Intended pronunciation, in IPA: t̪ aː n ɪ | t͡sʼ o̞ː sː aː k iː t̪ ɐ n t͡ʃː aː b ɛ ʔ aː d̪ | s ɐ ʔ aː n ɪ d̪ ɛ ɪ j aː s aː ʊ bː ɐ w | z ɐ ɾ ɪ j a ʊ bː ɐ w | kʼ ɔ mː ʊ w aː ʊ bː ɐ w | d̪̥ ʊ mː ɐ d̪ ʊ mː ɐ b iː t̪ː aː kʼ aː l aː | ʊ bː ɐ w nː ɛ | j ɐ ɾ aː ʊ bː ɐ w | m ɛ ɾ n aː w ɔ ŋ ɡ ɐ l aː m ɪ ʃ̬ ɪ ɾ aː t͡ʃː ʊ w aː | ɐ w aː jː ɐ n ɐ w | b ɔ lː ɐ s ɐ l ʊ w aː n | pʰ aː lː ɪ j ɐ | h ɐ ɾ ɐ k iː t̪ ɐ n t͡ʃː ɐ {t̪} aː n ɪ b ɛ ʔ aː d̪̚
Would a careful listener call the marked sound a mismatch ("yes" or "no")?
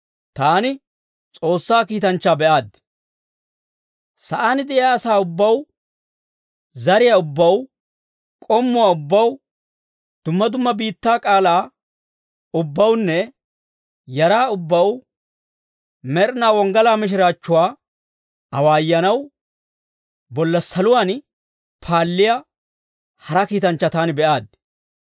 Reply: no